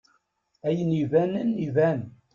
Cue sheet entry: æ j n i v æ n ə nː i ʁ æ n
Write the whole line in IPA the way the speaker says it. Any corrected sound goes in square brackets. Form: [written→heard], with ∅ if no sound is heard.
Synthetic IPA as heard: æ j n i v æ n ə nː i [ʁ→v] æ n